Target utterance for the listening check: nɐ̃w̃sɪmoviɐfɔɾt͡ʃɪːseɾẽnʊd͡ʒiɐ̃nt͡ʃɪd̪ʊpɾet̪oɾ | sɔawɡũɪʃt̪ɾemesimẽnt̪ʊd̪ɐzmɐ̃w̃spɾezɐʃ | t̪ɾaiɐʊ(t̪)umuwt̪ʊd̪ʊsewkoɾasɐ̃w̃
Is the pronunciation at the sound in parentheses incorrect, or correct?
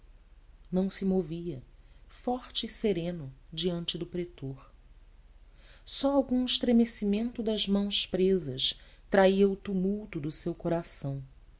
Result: correct